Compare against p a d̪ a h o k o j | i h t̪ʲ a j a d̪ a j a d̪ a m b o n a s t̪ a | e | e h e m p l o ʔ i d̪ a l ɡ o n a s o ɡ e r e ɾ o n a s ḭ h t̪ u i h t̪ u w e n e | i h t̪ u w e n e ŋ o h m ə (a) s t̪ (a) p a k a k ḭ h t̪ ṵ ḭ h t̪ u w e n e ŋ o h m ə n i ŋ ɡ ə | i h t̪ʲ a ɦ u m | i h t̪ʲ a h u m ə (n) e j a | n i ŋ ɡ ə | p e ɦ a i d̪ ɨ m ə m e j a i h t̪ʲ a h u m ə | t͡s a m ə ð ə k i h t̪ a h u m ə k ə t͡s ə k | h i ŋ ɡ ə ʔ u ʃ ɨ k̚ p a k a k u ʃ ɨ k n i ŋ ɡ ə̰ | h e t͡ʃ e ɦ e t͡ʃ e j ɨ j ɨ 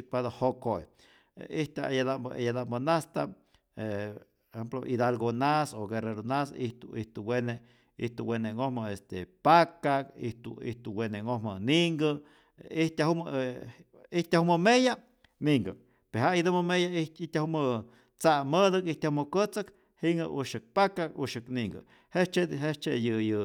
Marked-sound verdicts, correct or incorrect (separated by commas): incorrect, incorrect, incorrect